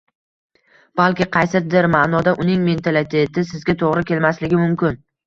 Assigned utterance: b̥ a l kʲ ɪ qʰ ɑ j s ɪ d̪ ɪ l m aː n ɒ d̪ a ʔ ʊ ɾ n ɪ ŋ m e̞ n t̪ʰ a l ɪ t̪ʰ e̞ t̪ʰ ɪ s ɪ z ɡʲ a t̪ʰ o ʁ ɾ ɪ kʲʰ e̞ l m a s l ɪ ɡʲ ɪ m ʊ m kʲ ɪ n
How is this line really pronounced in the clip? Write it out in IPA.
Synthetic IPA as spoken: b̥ a l kʲ ɪ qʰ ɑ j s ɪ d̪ ɪ ɾ m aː n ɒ d̪ a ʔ ʊ n ɪ ŋ m e̞ n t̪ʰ a l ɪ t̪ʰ e̞ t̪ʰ ɪ s ɪ z ɡʲ a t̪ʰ o ʁ ɾ ɪ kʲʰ e̞ l m a s l ɪ ɡʲ ɪ m ʊ m kʲ ɪ n